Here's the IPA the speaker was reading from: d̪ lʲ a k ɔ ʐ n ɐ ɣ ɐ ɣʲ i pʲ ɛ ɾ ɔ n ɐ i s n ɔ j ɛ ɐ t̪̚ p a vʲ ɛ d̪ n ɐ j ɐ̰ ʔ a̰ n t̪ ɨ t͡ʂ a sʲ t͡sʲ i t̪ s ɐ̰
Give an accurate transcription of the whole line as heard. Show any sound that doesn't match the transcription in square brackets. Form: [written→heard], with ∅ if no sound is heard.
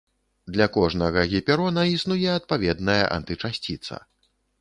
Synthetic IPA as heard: d̪ lʲ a k ɔ ʐ n ɐ ɣ ɐ ɣʲ i pʲ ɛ ɾ ɔ n ɐ i s n [ɔ→u] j ɛ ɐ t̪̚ p a vʲ ɛ d̪ n ɐ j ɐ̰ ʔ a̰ n t̪ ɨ t͡ʂ a sʲ t͡sʲ i t̪ s ɐ̰